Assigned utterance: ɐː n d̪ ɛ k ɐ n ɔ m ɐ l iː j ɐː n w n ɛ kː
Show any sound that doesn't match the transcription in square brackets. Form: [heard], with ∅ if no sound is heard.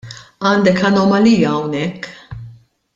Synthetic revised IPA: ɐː n d̪ ɛ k ɐ n ɔ m ɐ l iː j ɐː [∅] w n ɛ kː